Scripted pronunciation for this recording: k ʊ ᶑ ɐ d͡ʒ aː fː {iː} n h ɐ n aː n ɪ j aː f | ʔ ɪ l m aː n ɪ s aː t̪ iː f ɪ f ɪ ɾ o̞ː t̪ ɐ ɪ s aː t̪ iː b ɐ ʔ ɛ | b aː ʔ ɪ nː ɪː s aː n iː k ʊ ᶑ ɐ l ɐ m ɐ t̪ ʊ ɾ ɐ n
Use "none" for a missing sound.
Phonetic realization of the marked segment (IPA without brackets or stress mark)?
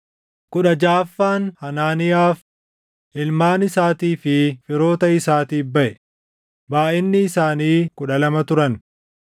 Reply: aː